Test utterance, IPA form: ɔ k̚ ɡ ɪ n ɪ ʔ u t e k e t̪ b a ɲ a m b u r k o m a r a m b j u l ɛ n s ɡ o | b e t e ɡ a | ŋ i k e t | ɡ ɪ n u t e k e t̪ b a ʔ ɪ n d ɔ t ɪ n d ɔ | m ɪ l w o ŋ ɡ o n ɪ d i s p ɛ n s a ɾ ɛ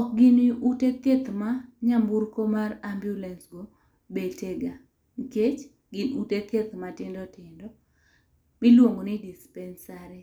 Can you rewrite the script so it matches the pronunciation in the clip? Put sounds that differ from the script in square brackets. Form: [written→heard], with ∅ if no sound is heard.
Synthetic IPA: ɔ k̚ ɡ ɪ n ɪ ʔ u t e k e t̪ [b→m] a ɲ a m b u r k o m a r a m b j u l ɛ n s ɡ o | b e t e ɡ a | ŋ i k e [t→t͡ʃ] | ɡ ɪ n u t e k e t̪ [b→m] a [ʔ→t] ɪ n d ɔ t ɪ n d ɔ | m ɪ l w o ŋ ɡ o n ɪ d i s p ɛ n s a ɾ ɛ